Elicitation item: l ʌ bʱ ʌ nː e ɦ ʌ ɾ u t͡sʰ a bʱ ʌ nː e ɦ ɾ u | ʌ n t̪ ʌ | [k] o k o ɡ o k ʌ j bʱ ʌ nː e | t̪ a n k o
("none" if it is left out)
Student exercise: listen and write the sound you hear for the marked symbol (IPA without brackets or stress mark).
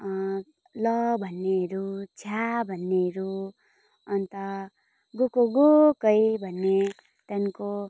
ɡ